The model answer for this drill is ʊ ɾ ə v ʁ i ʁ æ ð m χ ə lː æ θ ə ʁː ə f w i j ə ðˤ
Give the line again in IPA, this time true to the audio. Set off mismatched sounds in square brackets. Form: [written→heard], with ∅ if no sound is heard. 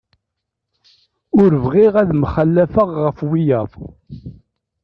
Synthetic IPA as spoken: ʊ ɾ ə v ʁ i ʁ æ ð m χ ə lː æ [θ→f] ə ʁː ə f w i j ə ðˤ